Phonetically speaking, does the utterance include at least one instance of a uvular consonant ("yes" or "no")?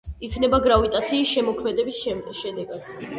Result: no